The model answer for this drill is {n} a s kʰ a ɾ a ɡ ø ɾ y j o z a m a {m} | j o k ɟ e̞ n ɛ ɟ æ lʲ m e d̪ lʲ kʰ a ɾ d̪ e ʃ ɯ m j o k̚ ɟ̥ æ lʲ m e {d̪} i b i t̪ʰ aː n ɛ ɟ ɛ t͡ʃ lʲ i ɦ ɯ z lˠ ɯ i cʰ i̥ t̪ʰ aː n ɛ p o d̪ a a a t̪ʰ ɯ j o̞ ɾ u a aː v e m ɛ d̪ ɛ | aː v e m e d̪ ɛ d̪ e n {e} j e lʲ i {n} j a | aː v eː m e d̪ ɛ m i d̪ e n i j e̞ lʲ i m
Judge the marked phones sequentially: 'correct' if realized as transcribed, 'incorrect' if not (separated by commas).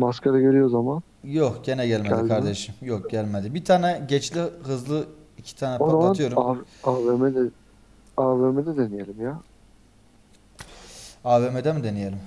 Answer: incorrect, incorrect, correct, incorrect, incorrect